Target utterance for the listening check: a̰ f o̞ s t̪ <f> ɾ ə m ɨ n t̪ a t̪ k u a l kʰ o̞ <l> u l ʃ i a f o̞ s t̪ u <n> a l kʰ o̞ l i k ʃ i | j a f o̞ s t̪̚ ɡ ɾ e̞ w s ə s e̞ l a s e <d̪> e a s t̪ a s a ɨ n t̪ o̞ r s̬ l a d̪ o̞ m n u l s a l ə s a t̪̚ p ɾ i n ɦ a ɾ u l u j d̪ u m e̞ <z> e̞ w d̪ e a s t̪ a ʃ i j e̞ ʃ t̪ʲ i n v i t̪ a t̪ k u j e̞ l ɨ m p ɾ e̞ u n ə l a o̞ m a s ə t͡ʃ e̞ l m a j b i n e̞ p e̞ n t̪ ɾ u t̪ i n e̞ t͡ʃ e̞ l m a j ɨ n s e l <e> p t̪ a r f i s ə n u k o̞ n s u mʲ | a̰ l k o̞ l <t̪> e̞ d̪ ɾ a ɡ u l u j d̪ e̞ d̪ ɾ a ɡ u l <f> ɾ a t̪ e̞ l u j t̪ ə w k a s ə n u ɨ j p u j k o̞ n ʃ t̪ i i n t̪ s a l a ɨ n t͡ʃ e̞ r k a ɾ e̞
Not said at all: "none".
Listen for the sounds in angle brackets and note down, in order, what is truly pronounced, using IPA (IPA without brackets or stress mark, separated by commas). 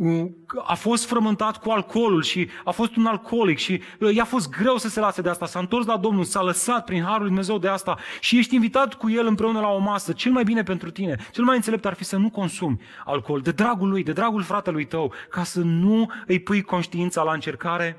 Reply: f, l, n, d̪, z, e, d̪, f